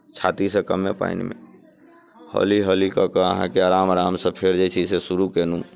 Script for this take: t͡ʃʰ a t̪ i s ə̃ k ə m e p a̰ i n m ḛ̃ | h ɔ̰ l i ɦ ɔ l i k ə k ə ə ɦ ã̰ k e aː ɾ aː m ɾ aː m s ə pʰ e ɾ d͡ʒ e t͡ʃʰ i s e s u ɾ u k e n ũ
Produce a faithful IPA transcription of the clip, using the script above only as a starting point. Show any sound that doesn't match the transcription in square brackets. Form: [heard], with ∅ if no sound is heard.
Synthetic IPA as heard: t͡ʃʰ a t̪ i s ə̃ k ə m e p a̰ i n m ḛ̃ | h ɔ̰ l i ɦ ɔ l i k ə k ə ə ɦ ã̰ k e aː ɾ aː m ɾ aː m s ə pʰ e ɾ d͡ʒ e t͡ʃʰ i s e s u ɾ u k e n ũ